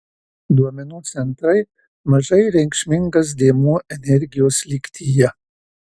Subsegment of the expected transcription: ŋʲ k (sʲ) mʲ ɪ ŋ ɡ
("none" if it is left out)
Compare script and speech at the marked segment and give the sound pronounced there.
ʃʲ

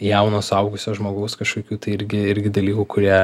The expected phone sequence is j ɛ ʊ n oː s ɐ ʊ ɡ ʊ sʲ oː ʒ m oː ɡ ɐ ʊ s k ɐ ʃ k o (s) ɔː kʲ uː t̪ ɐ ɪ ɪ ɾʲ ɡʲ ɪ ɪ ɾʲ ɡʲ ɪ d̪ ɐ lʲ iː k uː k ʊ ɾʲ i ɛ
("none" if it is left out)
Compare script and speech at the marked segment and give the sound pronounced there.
none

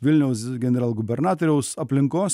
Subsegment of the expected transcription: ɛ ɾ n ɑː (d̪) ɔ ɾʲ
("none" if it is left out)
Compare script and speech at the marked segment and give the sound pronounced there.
t̪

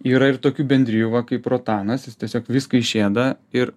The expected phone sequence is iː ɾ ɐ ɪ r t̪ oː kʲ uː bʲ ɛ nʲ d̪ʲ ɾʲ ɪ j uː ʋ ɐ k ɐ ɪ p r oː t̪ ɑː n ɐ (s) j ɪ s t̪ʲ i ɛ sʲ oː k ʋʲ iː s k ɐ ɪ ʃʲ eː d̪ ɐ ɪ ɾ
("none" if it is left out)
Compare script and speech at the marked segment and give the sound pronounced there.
s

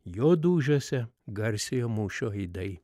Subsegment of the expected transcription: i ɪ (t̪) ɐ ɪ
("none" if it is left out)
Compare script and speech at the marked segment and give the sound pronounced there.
d̪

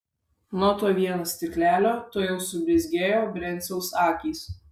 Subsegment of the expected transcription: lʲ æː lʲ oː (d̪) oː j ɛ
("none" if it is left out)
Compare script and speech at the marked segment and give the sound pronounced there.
t̪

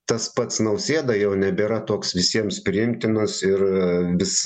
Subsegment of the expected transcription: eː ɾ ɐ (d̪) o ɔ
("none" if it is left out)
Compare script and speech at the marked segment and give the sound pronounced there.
t̪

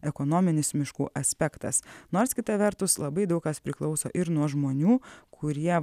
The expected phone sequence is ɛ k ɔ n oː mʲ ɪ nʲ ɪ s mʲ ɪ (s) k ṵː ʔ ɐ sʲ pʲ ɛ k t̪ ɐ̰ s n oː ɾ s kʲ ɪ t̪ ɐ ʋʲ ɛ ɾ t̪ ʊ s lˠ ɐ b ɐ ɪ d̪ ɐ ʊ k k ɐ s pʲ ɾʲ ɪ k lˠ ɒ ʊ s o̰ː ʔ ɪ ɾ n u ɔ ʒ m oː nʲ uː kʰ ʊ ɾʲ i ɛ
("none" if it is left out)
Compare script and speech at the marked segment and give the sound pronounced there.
ʃ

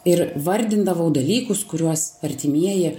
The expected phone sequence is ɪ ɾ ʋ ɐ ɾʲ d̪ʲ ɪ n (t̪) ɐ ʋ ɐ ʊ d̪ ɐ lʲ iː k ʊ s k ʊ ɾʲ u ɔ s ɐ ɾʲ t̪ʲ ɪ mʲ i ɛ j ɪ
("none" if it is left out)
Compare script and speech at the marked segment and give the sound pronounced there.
d̪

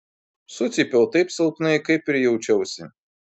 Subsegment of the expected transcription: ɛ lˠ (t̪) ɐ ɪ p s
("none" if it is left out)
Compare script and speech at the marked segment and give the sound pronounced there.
t̪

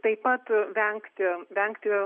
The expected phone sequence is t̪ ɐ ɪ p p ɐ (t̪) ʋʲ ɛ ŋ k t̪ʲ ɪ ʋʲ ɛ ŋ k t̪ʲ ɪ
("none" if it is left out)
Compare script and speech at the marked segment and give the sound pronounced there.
t̪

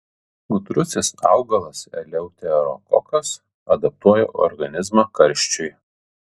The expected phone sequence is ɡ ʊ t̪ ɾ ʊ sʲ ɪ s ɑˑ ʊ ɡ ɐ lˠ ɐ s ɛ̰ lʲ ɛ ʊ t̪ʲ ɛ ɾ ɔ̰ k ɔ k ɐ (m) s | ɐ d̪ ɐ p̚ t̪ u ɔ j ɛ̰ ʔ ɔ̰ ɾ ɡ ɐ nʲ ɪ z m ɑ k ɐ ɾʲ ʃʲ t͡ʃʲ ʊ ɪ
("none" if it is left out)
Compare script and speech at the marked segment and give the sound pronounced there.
none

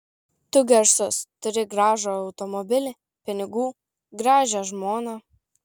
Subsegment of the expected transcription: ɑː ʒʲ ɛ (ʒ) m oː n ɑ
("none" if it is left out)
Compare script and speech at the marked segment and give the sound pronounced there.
ʒ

